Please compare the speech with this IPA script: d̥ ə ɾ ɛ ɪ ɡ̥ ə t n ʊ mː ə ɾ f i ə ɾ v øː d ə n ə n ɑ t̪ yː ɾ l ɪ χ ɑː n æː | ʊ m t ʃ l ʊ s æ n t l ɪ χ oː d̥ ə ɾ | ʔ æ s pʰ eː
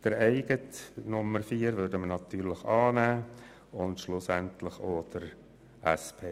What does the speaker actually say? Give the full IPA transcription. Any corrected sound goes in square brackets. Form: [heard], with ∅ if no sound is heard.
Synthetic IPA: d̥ ə ɾ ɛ ɪ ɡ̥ ə t n ʊ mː ə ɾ f [iː] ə ɾ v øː d ə [m] ə n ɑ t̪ yː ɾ l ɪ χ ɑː n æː | ʊ [n] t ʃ l ʊ s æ n t l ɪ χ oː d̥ ə ɾ | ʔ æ s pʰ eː